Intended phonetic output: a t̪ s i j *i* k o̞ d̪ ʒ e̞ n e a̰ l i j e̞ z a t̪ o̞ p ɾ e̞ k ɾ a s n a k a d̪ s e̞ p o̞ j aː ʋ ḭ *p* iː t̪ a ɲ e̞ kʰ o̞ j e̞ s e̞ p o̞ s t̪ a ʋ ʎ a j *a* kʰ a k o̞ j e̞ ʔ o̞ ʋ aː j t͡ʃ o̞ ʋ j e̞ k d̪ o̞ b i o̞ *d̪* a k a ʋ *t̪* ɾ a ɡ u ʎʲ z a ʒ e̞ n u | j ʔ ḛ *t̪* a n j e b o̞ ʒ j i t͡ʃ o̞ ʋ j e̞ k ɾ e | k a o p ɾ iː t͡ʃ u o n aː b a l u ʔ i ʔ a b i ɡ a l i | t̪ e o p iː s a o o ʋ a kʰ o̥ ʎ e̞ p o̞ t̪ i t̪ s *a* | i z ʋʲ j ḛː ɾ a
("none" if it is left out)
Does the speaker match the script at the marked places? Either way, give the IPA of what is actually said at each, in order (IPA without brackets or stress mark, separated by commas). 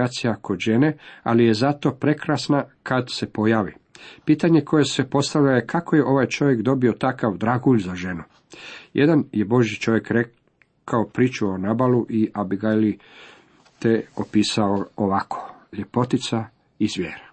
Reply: a, p, e, t̪, d̪, d̪, a